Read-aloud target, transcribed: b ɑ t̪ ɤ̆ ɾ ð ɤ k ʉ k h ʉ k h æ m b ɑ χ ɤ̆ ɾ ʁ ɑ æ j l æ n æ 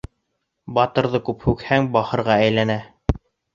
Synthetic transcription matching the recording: b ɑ t̪ ɤ̆ ɾ ð ɤ k ʉ p h ʉ k h æ ŋ b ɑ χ ɤ̆ ɾ ʁ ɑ æ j l æ n æ

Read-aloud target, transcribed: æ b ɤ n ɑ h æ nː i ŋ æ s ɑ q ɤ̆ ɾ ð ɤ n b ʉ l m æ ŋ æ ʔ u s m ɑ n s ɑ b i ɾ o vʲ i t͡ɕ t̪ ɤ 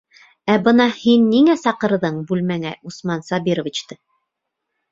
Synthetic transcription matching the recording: æ b ɤ n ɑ h i nː i ŋ æ s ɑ q ɤ̆ ɾ ð ɤ ɴ b ʉ l m æ ŋ æ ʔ u s m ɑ n s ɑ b i ɾ o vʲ i t͡ɕ t̪ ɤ

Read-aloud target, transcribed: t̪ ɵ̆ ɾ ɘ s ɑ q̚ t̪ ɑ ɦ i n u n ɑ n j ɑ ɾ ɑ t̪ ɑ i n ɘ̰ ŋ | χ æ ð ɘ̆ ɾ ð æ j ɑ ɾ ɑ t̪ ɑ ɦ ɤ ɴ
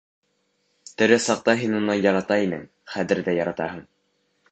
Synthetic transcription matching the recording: t̪ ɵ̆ ɾ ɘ s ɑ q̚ t̪ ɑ ɦ i n u n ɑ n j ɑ ɾ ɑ t̪ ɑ i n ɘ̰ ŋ | χ æ ð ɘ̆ ɾ ð æ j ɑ ɾ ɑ t̪ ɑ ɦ ɤ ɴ

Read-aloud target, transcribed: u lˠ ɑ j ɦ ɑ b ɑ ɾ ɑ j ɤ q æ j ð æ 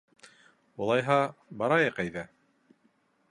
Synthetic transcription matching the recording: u lˠ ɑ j ɦ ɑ b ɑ ɾ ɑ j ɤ q æ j ð æ

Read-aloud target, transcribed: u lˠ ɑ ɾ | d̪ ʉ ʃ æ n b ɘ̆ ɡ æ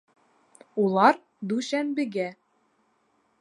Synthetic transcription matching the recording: u lˠ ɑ ɾ | d̪ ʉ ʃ æ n b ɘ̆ ɡ æ

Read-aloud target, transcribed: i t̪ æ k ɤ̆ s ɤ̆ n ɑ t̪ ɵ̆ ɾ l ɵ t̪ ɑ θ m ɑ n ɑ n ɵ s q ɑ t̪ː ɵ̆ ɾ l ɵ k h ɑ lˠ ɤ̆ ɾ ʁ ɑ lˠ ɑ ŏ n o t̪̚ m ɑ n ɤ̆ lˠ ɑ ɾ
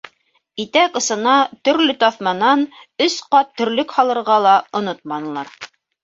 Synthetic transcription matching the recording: i t̪ æ k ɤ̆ s ɤ̆ n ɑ t̪ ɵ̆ ɾ l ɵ t̪ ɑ θ m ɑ n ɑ n ɵ s q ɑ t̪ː ɵ̆ ɾ l ɵ k h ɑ lˠ ɤ̆ ɾ ʁ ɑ lˠ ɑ ŏ n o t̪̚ m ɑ n ɤ̆ lˠ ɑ ɾ

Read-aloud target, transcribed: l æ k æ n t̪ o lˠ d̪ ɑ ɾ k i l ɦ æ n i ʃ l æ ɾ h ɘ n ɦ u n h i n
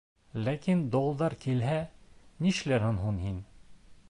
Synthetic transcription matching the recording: l æ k i n d̪ o lˠ d̪ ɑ ɾ k i l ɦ æ n i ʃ l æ ɾ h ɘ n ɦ u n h i n

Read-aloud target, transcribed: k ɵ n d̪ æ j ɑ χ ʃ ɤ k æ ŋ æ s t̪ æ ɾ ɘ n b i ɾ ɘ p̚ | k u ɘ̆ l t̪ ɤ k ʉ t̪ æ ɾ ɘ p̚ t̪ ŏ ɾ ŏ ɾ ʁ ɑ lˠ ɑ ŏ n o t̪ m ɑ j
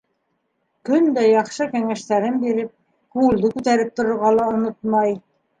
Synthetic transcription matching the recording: k ɵ n d̪ æ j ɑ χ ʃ ɤ k æ ŋ æ ʃ t̪ æ ɾ ɘ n b i ɾ ɘ p̚ | k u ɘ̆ l d̪ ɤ k ʉ t̪ æ ɾ ɘ p̚ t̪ ŏ ɾ ŏ ɾ ʁ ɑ lˠ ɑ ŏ n o t̪ m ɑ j

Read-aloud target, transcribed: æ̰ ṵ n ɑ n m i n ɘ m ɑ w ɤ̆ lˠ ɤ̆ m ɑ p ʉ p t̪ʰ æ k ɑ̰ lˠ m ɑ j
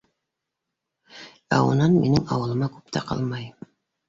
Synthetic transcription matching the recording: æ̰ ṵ n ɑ n m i n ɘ ŋ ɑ w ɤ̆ lˠ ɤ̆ m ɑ k ʉ p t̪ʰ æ q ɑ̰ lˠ m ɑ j

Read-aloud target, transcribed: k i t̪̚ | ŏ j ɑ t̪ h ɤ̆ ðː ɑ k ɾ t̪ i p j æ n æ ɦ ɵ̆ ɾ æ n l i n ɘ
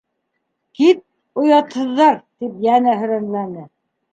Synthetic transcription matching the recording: k i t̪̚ | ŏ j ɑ t̪ h ɤ̆ ðː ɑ ɾ t̪ i p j æ n æ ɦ ɵ̆ ɾ æ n l æ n ɘ

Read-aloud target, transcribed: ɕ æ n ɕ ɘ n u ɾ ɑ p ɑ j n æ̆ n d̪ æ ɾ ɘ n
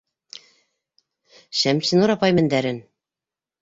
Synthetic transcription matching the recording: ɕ æ m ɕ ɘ n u ɾ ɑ p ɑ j m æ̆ n d̪ æ ɾ ɘ n

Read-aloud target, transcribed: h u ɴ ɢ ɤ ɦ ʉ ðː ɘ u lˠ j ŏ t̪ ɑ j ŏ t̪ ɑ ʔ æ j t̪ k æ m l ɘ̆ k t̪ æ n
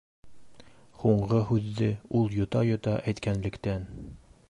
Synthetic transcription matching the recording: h u ɴ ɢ ɤ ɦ ʉ ðː ɘ u lˠ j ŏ t̪ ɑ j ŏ t̪ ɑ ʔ æ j t̪ k æ n l ɘ̆ k t̪ æ n

